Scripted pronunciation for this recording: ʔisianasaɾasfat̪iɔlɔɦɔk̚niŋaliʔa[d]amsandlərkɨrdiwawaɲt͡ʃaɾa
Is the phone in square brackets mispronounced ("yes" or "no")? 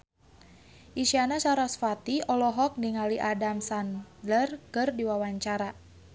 no